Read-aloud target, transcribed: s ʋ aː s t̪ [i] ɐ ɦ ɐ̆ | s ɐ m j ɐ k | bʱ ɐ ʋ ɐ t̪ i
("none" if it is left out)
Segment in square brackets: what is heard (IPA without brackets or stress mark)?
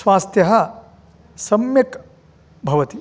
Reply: j